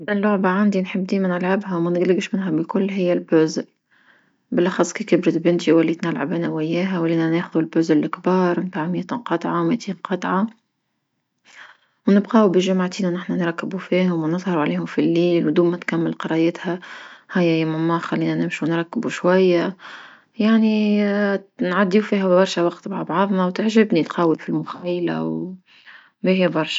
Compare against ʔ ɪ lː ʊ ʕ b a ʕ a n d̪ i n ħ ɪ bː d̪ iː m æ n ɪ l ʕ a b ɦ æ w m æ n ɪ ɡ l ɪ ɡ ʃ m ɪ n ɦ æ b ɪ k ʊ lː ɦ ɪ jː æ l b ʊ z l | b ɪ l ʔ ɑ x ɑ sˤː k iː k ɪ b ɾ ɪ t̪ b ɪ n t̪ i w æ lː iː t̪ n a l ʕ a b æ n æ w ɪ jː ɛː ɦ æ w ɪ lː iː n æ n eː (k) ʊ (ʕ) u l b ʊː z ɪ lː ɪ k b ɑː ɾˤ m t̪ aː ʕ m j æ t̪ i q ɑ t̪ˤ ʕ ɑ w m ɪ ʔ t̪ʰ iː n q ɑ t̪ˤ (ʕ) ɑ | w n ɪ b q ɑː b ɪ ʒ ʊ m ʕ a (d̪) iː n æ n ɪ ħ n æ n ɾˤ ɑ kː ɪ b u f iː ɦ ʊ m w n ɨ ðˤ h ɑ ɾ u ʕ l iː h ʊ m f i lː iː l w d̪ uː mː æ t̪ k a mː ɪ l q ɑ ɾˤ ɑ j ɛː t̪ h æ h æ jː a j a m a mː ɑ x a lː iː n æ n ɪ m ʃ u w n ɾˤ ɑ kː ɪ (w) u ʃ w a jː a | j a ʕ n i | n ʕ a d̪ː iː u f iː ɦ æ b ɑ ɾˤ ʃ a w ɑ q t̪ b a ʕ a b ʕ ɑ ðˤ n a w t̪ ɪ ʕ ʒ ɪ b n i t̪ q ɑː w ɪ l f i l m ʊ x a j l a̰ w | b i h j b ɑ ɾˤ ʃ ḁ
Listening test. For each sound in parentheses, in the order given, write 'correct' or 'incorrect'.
incorrect: x, incorrect: ð, correct, incorrect: t̪, incorrect: b

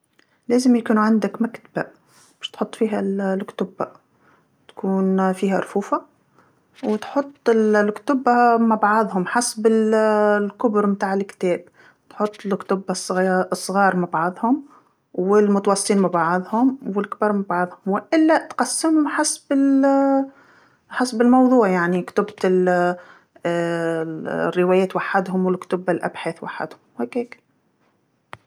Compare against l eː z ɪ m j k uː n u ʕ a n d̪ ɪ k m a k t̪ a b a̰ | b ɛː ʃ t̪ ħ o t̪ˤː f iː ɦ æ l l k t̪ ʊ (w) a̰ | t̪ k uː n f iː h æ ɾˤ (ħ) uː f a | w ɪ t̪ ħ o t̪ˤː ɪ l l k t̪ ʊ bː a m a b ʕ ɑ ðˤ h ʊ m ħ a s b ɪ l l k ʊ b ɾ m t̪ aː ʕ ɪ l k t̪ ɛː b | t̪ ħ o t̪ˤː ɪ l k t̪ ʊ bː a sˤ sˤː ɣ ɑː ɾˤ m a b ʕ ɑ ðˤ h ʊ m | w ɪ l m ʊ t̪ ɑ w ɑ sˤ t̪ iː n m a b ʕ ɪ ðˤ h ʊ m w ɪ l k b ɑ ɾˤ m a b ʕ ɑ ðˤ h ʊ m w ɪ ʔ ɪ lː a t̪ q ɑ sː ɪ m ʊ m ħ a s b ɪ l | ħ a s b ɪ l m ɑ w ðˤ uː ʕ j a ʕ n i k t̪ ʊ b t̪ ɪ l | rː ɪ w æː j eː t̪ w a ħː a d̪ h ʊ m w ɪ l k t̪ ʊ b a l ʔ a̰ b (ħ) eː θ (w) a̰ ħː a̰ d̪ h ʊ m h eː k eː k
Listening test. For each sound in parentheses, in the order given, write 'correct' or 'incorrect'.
incorrect: b, incorrect: f, correct, correct

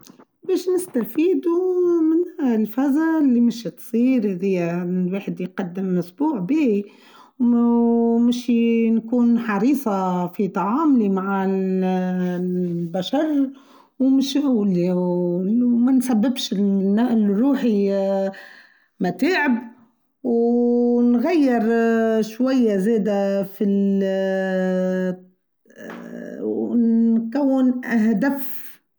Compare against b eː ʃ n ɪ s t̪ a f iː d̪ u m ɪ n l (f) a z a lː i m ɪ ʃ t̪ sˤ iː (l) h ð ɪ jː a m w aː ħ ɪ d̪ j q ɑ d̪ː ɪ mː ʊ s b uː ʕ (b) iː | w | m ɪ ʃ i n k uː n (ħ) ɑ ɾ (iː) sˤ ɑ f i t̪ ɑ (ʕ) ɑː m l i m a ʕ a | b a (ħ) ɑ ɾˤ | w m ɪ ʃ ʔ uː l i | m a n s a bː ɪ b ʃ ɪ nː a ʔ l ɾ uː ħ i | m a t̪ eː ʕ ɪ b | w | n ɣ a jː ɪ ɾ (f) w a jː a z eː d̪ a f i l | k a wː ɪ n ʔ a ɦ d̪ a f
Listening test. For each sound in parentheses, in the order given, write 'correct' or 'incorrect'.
correct, incorrect: ɾ, correct, correct, correct, correct, incorrect: ʃ, incorrect: ʃ

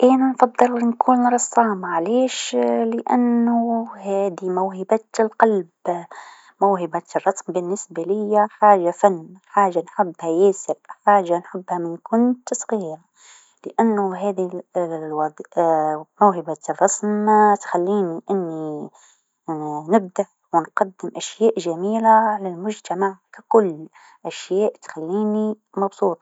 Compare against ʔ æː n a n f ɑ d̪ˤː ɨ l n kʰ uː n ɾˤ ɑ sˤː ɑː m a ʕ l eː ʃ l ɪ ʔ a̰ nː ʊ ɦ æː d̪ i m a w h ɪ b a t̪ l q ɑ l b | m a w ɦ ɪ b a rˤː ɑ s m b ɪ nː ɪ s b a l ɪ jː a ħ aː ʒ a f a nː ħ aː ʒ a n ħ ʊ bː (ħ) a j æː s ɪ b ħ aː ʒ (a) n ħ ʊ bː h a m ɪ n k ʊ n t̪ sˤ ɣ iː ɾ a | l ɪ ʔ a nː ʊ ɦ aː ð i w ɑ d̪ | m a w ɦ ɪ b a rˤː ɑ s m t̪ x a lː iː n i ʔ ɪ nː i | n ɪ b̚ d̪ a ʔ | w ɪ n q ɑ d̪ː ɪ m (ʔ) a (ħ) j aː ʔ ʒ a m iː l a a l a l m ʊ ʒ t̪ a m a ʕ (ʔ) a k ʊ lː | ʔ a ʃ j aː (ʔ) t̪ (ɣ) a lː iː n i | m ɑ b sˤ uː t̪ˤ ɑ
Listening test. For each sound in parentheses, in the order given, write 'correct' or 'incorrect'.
incorrect: h, correct, correct, incorrect: ʃ, incorrect: k, correct, incorrect: x

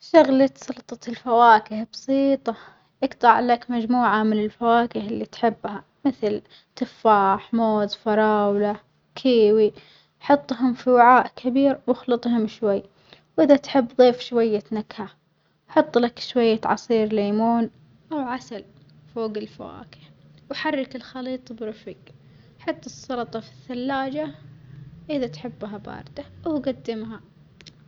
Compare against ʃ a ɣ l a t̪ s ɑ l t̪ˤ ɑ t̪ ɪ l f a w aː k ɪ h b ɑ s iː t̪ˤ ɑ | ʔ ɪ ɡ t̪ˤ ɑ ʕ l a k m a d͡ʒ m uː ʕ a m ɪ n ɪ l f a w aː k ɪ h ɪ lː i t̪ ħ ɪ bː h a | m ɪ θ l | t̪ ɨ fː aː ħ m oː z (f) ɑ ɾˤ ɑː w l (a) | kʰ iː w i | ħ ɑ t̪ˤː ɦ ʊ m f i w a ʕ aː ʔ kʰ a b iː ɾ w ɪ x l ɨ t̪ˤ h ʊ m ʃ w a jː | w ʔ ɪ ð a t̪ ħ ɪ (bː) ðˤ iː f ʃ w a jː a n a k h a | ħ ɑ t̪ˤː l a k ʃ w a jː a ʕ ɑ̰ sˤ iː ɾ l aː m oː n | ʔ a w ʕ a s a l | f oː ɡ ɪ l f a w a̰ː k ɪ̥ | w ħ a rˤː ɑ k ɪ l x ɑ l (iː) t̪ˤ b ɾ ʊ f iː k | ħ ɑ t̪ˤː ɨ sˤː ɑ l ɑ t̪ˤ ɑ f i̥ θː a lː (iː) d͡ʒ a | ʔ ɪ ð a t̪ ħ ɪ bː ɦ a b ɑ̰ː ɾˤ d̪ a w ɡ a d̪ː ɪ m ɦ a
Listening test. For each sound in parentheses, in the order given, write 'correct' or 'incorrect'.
correct, correct, correct, correct, incorrect: aː

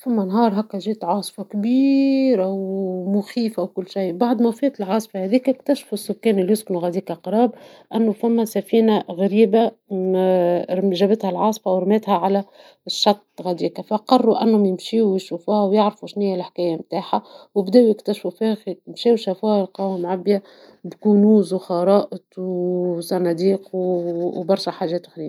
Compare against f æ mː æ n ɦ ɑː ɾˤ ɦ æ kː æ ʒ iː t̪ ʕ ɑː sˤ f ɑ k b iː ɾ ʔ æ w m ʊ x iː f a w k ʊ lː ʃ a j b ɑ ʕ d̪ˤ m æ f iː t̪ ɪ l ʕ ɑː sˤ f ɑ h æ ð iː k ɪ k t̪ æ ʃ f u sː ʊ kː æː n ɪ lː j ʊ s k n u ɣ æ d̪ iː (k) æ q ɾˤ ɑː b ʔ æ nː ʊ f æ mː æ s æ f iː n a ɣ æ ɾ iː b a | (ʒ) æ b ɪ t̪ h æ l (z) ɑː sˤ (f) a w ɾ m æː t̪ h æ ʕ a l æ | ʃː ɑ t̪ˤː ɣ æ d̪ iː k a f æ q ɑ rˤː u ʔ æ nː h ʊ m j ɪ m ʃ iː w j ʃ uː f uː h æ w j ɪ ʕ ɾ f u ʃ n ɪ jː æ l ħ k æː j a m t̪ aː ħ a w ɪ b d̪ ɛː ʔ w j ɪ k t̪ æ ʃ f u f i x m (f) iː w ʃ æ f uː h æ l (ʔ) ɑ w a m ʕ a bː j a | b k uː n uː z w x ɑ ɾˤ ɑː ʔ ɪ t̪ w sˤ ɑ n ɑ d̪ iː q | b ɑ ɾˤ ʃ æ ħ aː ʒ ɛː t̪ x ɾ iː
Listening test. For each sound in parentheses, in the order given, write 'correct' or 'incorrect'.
correct, correct, incorrect: ʕ, correct, incorrect: ʃ, incorrect: q

